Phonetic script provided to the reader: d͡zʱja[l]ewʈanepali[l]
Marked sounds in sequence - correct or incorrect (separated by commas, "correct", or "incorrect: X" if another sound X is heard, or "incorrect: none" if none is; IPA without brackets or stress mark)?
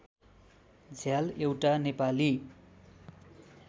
correct, incorrect: none